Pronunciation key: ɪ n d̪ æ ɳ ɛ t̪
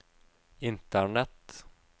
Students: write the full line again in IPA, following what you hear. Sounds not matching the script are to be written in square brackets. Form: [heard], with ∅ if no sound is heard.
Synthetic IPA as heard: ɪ n [t̪] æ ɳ ɛ t̪